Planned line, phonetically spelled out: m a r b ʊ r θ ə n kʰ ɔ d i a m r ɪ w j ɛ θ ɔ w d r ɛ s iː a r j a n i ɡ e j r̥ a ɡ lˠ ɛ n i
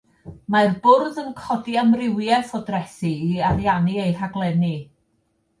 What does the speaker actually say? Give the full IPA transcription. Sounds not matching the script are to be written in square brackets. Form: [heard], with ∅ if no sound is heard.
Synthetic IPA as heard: m a r b ʊ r [ð] ə n kʰ ɔ d i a m r ɪ w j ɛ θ ɔ [∅] d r ɛ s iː a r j a n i [∅] e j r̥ a ɡ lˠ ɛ n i

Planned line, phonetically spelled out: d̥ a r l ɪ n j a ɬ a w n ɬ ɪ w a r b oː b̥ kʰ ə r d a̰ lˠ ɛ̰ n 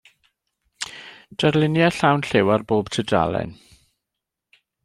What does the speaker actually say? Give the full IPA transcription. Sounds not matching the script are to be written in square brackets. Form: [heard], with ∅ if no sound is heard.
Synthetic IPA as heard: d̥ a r l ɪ n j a ɬ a w n ɬ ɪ w a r b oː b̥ [tʰ] ə [∅] d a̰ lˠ ɛ̰ n

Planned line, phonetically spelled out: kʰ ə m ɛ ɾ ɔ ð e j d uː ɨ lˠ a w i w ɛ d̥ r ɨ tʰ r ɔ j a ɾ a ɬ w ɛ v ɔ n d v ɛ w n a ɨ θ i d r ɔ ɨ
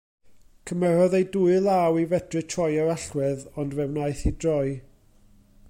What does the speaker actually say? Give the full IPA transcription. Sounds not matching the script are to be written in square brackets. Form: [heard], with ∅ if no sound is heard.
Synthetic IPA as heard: kʰ ə m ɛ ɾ ɔ ð e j d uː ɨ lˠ a w i [v] ɛ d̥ r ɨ tʰ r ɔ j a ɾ a ɬ w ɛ [ð] ɔ n d v ɛ w n a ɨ θ i d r ɔ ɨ

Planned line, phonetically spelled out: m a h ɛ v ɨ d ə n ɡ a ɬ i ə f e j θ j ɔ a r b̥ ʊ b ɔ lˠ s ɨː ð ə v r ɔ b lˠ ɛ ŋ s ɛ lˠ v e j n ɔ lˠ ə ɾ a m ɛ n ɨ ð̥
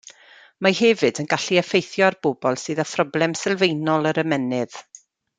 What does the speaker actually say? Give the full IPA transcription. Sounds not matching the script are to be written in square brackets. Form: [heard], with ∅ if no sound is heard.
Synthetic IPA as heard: m a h ɛ v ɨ d ə n ɡ a ɬ i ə f e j θ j ɔ a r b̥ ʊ b ɔ lˠ s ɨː ð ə [f] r ɔ b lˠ ɛ [m] s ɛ lˠ v e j n ɔ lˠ ə ɾ [ə] m ɛ n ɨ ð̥

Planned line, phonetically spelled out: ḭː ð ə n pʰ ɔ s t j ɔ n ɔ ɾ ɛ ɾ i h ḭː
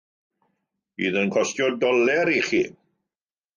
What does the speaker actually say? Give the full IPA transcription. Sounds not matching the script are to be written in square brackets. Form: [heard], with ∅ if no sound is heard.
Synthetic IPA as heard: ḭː ð ə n [kʰ] ɔ s t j ɔ [d] ɔ [l] ɛ ɾ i [χ] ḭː

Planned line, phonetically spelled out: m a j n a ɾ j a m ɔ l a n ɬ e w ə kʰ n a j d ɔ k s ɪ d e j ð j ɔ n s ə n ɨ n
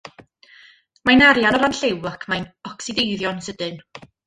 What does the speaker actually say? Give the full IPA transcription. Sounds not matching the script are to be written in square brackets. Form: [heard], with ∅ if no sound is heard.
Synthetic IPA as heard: m a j n a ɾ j a [n] ɔ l a n ɬ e w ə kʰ [m] a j [n] ɔ k s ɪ d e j ð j ɔ n s ə [d] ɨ n

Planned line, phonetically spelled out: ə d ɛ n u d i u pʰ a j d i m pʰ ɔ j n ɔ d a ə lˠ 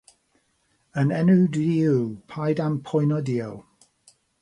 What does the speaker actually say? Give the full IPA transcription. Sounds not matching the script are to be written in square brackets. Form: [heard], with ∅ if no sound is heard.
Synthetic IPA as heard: ə [n] ɛ n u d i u pʰ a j d [a] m pʰ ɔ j n ɔ d [i] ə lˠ

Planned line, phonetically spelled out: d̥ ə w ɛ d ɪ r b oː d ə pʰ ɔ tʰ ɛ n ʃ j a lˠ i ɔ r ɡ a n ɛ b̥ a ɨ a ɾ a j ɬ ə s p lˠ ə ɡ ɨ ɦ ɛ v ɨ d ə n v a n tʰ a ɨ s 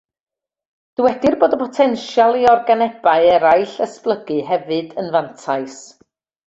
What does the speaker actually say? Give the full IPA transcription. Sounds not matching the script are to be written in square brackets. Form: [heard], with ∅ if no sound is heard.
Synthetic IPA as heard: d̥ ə w ɛ d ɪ r b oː d ə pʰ ɔ tʰ ɛ n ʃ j a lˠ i ɔ r ɡ a n ɛ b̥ a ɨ [ɛ] ɾ a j ɬ ə s p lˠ ə ɡ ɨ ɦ ɛ v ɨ d ə n v a n tʰ a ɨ s

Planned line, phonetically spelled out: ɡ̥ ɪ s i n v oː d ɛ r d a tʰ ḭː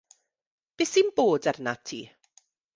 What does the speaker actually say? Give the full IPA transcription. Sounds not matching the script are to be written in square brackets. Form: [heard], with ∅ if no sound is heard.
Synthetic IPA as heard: [b̥] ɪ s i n [b] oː d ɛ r [n] a tʰ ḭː

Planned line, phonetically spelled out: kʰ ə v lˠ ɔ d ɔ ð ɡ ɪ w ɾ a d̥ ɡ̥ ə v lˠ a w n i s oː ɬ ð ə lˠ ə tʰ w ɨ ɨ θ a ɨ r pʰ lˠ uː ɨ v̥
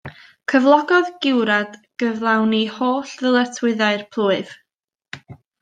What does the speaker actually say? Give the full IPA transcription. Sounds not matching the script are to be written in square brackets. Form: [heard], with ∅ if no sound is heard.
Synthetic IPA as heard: kʰ ə v lˠ ɔ [ɡ] ɔ ð ɡ ɪ w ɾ a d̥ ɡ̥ ə v lˠ a w n i [h] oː ɬ ð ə lˠ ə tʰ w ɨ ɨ [ð] a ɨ r pʰ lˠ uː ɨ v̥

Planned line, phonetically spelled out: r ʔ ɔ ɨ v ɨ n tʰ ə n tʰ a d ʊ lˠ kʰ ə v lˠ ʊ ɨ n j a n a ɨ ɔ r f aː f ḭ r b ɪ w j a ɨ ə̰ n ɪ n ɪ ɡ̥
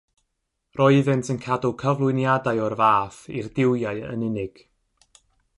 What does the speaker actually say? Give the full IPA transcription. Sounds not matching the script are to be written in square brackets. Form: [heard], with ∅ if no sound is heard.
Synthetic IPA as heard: r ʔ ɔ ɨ [ð] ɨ n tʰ ə n [kʰ] a d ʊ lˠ kʰ ə v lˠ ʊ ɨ n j a [d] a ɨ ɔ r [v] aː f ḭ r [d] ɪ w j a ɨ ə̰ n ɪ n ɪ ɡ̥

